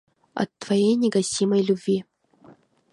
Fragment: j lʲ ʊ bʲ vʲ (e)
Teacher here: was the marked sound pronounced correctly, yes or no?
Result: no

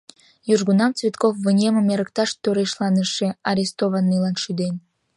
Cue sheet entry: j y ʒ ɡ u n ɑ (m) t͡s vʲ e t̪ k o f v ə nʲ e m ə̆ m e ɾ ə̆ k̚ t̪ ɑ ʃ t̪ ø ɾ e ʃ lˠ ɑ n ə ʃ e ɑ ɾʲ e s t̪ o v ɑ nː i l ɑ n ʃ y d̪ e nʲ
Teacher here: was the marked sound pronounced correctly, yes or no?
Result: yes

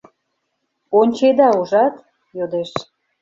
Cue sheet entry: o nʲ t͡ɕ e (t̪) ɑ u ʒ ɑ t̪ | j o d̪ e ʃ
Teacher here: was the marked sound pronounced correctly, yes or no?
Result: no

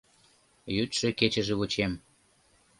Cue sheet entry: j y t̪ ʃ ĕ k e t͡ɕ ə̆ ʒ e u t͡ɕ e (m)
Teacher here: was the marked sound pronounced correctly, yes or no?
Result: yes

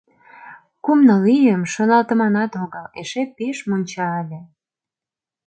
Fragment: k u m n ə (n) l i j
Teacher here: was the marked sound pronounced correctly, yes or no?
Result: no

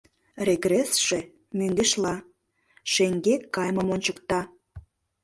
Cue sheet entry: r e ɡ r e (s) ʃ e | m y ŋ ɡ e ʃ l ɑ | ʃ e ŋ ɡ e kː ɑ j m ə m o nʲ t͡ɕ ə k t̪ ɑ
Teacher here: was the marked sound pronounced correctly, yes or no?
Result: yes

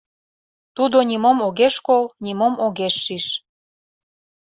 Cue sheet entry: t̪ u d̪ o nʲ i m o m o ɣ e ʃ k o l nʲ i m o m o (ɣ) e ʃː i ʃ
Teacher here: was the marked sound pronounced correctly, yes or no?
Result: yes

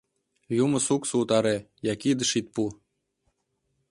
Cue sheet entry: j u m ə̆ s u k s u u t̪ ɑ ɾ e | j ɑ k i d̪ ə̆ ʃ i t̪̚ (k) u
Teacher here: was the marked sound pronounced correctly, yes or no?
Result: no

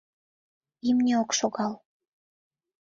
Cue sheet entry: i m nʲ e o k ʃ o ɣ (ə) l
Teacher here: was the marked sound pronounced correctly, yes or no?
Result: no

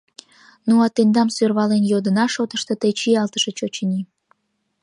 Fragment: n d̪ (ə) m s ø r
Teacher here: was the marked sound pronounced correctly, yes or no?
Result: no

